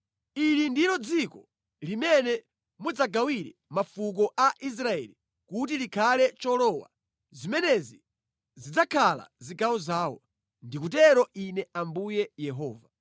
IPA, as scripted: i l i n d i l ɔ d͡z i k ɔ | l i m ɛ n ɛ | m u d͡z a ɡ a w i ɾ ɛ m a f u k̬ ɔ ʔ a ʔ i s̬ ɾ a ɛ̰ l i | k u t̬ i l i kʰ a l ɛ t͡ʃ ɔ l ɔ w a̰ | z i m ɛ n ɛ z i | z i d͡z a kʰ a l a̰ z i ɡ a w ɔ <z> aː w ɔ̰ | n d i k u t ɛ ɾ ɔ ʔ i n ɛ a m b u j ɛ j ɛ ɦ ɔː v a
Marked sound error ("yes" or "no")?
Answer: no